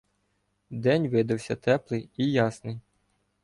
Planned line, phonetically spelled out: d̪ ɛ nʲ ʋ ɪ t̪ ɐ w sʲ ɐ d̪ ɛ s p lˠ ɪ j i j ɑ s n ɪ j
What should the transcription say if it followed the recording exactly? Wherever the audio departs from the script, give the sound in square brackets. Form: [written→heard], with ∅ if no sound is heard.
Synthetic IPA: d̪ ɛ nʲ ʋ ɪ [t̪→d̪] ɐ w sʲ ɐ [d̪→t̪] ɛ [s→∅] p lˠ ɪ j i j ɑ s n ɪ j